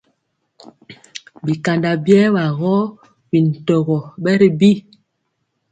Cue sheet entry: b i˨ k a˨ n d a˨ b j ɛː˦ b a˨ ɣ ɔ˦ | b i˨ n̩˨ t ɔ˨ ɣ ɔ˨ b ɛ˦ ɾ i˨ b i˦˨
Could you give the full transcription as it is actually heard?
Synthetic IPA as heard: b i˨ k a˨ n d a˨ b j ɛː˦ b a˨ ɣ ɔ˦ | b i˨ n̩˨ t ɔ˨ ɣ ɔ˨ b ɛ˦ ɾ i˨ b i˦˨

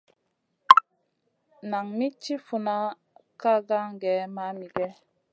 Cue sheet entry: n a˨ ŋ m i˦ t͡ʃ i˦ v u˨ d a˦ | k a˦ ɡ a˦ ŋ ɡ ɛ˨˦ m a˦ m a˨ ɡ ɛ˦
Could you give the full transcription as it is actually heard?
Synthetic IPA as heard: n a˨ ŋ m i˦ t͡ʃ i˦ f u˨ n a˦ | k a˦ ɡ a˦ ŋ ɡ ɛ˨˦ m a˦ m i˨ ɡ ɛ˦

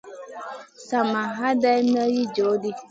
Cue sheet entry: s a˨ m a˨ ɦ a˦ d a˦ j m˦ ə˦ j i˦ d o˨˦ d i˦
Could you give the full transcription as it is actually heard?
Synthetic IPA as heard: s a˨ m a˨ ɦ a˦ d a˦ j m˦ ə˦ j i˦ d͡ʒ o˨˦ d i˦

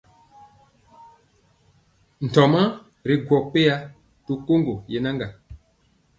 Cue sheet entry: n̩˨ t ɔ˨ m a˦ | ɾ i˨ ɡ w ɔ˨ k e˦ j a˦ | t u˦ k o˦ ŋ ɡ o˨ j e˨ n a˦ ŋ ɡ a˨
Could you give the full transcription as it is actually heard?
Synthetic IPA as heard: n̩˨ t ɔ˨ m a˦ | ɾ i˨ ɡ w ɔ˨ k͡p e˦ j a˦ | t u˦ k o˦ ŋ ɡ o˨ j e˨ n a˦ ŋ ɡ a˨

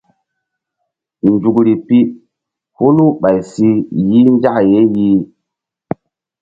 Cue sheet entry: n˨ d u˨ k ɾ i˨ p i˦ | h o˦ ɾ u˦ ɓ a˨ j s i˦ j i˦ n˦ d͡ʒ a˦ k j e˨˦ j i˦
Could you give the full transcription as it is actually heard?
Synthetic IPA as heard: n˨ d͡ʒ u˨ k ɾ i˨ p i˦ | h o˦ l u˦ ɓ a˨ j s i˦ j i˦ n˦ d͡ʒ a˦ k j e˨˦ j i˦

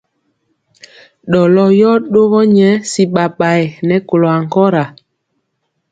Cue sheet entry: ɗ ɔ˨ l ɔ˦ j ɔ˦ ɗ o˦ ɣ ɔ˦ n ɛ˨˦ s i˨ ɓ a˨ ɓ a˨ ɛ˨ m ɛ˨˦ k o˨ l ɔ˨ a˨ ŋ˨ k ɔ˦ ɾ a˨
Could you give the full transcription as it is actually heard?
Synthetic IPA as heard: ɗ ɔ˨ l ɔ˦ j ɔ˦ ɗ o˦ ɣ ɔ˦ ɲ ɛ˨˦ s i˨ ɓ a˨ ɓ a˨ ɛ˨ n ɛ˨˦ k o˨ l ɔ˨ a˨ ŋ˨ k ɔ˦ ɾ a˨

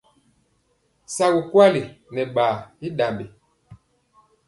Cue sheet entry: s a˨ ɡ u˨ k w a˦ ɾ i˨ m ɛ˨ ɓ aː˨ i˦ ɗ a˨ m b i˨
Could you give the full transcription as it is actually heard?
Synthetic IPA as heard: s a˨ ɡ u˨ k w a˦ l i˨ n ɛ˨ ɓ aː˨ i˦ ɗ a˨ m b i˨

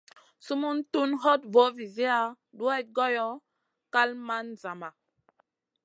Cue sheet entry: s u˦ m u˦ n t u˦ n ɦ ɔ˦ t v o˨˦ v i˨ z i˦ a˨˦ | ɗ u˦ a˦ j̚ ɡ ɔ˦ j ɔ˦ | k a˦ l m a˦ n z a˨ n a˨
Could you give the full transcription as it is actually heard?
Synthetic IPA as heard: s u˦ m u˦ n t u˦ n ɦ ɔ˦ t v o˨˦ v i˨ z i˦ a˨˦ | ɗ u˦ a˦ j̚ ɡ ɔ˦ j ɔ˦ | k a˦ l m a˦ n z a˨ m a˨

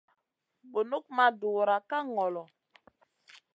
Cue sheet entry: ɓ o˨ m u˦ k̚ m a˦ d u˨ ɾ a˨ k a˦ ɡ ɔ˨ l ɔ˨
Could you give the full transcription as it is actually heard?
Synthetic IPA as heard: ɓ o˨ n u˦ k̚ m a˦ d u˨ ɾ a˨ k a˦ ŋ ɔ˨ l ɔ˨

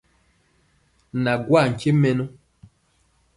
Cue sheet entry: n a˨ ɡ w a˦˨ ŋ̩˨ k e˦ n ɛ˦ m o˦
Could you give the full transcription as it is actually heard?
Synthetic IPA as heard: n a˨ ɡ w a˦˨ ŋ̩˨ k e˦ m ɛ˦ n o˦

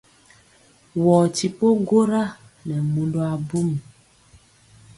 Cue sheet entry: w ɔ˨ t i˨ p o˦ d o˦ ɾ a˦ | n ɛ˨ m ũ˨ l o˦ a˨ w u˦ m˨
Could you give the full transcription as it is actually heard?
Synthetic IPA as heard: w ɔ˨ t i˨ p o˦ ɡ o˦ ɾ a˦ | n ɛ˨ m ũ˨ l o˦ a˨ b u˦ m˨

